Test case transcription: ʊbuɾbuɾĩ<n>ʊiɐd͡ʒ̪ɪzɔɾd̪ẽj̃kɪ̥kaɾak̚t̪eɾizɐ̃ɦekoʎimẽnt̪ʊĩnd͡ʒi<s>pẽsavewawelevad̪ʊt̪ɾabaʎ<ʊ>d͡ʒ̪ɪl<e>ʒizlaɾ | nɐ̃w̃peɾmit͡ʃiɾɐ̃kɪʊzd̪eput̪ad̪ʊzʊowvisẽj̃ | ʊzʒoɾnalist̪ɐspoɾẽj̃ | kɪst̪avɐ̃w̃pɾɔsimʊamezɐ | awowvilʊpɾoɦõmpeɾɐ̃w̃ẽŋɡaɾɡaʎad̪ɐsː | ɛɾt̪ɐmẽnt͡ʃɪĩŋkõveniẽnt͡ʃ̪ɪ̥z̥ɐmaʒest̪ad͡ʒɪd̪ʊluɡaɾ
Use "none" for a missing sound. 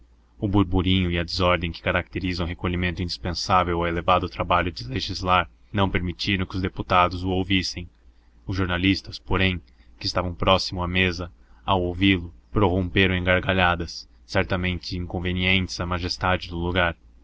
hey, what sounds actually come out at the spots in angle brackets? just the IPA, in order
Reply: ɲ, s, ʊ, e

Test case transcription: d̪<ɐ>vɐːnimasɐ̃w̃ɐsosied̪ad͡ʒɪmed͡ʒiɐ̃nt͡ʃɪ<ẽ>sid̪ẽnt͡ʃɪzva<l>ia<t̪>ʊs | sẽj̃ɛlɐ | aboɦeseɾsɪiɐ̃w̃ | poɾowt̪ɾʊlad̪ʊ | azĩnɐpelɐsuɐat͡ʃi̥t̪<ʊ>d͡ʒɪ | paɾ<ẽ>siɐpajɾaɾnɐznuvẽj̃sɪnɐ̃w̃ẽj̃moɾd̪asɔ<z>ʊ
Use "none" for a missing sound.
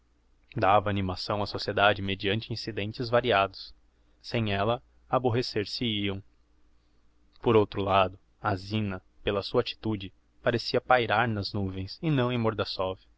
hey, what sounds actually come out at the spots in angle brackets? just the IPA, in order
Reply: a, ĩ, ɾ, d̪, u, e, v

